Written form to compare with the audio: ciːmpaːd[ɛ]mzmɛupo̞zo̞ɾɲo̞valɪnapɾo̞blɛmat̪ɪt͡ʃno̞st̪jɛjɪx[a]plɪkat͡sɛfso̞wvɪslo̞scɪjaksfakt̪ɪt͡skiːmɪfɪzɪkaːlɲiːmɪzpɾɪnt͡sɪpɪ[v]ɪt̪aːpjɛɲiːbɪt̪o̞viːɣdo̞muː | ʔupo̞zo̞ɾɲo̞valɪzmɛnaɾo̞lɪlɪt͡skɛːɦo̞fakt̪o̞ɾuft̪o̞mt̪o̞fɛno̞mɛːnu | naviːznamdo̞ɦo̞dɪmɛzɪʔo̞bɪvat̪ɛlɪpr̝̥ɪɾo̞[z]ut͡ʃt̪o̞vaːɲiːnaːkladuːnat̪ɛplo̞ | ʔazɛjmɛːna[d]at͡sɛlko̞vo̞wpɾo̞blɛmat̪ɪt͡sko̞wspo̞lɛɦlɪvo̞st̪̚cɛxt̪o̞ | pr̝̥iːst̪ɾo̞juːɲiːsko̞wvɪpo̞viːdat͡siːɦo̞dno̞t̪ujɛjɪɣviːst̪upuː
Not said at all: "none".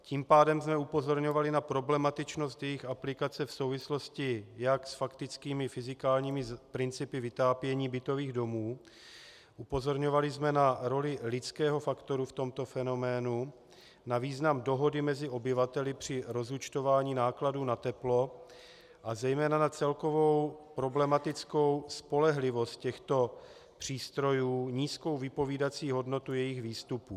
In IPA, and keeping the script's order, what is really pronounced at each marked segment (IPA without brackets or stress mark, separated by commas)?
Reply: ɛ, a, v, z, n